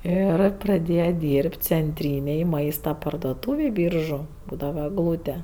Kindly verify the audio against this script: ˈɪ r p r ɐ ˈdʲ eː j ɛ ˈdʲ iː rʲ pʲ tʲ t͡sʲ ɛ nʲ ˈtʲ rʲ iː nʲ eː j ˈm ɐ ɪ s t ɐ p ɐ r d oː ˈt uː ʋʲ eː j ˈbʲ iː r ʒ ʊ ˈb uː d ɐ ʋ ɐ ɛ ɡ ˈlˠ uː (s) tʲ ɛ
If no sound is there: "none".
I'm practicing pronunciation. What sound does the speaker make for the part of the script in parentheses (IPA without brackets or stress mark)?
none